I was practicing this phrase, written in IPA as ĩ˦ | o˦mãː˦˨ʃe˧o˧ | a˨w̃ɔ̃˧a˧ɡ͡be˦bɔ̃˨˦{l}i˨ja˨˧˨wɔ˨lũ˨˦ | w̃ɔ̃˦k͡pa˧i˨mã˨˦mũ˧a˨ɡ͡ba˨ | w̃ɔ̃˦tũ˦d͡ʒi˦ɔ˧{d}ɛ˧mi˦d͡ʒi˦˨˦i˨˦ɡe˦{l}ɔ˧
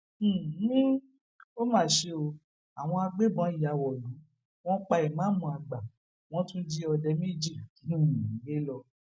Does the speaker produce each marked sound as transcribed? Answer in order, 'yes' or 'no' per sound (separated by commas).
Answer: no, yes, yes